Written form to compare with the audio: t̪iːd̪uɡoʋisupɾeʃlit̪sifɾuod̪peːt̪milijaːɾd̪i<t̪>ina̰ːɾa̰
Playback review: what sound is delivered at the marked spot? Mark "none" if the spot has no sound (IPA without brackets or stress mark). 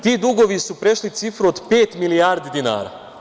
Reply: d̪